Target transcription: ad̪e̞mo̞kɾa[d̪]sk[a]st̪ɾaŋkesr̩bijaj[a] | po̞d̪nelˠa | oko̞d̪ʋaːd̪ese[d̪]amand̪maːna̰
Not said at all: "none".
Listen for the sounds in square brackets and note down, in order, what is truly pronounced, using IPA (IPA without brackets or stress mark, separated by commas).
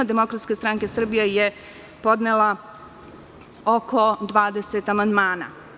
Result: t̪, e, e, t̪